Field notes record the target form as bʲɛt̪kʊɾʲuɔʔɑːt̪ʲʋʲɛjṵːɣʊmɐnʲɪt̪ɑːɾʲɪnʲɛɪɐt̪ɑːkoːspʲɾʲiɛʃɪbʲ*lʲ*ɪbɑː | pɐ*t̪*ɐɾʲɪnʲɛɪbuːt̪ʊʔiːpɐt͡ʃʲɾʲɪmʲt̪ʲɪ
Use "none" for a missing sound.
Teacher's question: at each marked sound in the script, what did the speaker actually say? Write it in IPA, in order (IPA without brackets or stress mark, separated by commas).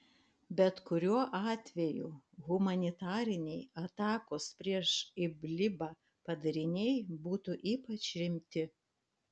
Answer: lʲ, d̪